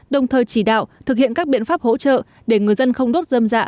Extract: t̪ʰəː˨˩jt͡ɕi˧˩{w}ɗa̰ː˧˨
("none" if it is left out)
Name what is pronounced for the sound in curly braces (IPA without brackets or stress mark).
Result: none